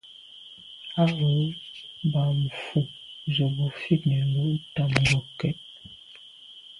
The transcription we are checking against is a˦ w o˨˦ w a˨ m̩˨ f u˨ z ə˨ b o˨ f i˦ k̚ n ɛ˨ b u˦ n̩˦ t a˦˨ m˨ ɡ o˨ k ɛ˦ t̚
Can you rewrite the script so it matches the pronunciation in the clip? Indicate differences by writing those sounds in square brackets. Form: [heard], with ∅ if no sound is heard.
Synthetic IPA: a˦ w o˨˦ [b] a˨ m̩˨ f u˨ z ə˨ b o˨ f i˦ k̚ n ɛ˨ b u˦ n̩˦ t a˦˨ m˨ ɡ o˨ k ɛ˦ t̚